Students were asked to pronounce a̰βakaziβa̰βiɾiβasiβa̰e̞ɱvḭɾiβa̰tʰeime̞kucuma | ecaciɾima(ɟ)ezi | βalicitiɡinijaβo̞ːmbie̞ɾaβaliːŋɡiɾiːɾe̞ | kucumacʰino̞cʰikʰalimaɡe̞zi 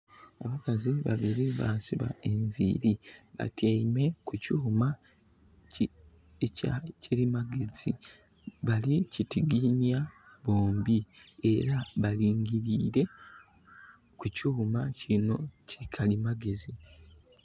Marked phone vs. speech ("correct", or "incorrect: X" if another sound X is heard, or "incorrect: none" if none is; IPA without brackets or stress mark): incorrect: ɡ